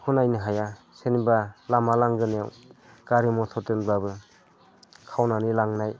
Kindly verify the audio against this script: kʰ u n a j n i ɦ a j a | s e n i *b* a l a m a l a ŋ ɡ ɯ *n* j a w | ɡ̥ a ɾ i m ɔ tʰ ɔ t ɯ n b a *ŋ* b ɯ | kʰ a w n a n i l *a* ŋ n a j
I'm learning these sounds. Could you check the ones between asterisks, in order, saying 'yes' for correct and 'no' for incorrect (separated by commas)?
yes, yes, no, yes